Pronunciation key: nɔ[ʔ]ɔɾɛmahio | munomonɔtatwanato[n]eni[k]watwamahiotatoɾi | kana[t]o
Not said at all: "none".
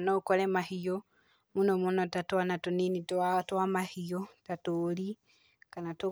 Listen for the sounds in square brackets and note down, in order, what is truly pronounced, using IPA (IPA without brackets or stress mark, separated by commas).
k, n, t, t